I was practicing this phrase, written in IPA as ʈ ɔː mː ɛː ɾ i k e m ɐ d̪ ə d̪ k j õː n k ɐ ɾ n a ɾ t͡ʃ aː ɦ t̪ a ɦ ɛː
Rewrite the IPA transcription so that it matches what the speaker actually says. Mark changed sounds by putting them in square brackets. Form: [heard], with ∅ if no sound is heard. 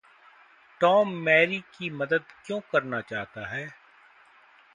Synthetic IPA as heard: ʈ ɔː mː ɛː ɾ i k [i] m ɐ d̪ ə d̪ k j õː [∅] k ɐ ɾ n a [∅] t͡ʃ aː ɦ t̪ a ɦ ɛː